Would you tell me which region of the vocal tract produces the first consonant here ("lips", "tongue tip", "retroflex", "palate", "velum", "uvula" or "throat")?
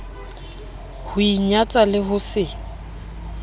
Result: throat